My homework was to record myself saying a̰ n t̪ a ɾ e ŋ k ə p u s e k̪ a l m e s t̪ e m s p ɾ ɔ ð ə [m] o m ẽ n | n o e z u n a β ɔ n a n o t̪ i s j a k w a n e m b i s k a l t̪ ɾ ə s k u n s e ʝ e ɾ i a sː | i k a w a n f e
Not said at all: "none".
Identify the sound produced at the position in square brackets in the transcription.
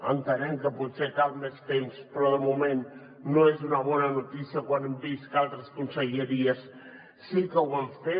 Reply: m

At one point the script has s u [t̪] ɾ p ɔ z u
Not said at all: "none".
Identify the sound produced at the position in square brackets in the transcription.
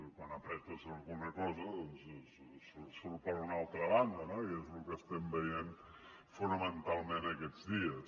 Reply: none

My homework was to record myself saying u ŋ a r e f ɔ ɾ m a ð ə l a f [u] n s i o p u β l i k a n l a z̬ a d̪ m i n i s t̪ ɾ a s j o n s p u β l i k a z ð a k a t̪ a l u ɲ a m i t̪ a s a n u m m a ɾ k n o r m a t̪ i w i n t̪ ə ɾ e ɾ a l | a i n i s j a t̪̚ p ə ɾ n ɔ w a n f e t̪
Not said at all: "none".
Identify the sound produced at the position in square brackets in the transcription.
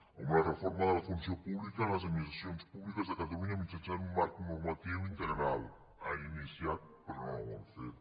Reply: u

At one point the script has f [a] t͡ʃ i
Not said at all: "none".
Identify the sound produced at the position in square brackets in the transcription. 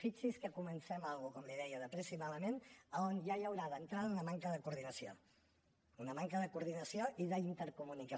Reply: i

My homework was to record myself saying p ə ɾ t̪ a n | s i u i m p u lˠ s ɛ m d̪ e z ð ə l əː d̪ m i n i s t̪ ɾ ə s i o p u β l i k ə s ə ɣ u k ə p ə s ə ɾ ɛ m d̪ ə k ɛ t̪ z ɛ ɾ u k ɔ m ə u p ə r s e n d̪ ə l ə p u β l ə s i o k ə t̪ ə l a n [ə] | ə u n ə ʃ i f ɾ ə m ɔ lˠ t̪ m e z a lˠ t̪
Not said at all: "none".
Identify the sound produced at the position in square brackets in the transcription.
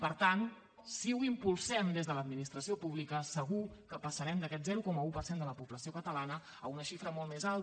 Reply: ə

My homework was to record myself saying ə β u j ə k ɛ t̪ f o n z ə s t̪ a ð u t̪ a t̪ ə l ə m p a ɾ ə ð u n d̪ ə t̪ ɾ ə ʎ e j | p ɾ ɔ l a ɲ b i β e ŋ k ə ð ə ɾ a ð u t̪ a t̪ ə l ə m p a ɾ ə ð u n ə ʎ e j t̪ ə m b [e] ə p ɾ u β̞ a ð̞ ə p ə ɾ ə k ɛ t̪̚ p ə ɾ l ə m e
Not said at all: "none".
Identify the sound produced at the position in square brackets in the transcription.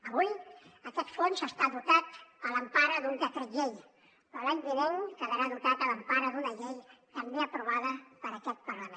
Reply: e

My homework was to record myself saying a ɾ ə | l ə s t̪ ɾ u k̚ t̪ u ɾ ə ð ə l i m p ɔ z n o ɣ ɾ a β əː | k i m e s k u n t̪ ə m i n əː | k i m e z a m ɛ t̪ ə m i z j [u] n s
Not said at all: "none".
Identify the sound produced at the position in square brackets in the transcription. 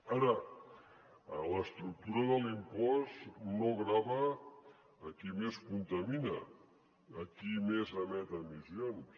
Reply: o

